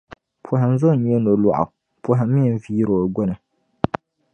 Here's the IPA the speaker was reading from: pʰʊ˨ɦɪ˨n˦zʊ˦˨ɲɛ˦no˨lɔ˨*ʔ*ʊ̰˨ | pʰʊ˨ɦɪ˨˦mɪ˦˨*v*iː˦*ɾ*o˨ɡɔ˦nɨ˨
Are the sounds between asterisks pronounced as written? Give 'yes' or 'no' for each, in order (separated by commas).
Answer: yes, yes, yes